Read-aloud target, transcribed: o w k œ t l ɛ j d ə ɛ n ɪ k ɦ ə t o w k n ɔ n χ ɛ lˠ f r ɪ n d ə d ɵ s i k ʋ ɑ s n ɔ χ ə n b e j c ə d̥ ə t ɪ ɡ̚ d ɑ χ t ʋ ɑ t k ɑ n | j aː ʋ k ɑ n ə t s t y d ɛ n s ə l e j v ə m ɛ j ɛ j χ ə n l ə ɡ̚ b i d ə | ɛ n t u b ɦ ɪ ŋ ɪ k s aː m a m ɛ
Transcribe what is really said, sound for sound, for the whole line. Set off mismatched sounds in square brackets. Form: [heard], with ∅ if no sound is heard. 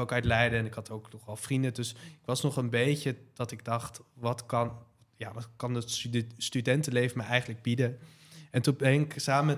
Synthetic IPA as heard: o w k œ t l ɛ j d ə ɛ n ɪ k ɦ [ɑ] t o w k n ɔ [∅] χ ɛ lˠ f r [i] n d ə d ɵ s [ɪ] k ʋ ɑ s n ɔ χ ə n b e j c ə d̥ [ɑ] t ɪ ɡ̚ d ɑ χ t ʋ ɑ t k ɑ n | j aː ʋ k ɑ n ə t s t y d ɛ n [t] ə l e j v ə m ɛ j ɛ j χ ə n l ə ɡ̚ b i d ə | ɛ n t u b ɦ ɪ ŋ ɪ k s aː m [ə] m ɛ